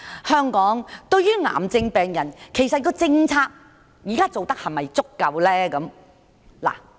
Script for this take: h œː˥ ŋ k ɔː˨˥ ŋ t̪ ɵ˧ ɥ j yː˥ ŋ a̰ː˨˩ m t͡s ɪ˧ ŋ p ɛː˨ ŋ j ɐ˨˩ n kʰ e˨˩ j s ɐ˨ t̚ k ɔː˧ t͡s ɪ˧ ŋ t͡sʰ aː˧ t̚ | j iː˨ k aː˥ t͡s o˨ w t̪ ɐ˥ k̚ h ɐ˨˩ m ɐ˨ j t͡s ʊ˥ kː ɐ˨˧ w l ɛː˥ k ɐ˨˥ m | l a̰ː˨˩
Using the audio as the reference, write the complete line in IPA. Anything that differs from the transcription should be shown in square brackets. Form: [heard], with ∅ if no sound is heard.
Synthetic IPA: h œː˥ ŋ k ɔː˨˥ ŋ t̪ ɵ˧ ɥ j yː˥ ŋ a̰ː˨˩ m t͡s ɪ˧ ŋ p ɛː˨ ŋ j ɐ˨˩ n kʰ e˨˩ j s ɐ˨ t̚ k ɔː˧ t͡s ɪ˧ ŋ t͡sʰ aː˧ [k̚] | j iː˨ k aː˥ t͡s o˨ w t̪ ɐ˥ k̚ h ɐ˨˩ m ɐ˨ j t͡s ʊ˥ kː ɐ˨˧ w l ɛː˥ k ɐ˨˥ m | l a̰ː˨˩